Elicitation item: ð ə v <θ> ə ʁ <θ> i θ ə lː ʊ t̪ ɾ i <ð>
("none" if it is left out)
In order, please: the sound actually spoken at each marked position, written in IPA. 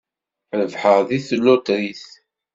ħ, ð, θ

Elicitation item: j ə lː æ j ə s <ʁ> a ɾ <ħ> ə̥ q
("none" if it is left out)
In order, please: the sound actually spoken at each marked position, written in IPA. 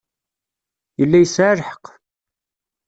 ʕ, ħ

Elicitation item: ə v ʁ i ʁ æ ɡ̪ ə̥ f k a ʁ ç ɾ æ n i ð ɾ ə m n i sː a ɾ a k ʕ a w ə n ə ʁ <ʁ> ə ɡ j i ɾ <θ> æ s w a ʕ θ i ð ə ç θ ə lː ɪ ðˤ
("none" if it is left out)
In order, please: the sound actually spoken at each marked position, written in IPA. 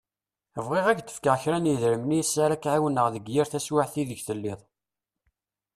ð, θ

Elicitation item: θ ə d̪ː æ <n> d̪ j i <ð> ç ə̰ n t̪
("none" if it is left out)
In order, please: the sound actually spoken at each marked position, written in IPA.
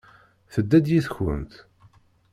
none, θ

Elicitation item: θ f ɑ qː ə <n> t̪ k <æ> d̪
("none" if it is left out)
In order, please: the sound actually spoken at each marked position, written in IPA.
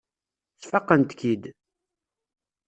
n, i

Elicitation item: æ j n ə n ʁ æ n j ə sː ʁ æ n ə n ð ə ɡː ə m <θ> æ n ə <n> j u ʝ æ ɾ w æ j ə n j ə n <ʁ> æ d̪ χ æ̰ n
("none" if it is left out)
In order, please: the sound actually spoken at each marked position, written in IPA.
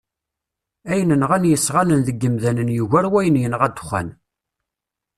ð, n, ʁ

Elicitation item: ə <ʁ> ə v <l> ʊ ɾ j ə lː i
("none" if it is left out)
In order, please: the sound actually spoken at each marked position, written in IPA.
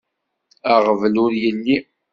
ʁ, l

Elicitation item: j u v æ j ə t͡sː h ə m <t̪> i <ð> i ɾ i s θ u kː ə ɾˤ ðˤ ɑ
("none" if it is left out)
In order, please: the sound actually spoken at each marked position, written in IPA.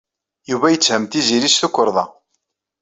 t̪, z

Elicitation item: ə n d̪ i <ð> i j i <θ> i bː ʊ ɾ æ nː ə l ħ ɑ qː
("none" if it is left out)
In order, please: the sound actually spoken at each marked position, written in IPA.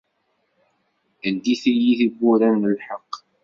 θ, θ

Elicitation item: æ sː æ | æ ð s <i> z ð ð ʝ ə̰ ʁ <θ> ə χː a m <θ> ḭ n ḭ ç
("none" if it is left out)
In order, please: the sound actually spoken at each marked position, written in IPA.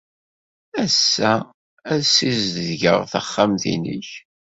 i, θ, θ

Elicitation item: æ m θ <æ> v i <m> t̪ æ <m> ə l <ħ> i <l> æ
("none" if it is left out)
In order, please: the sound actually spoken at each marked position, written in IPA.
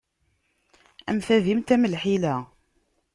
æ, m, m, ħ, l

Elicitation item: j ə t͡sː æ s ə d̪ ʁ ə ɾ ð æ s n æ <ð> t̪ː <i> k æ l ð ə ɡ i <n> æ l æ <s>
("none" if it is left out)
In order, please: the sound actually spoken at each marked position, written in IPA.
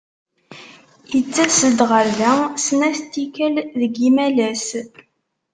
θ, i, m, s

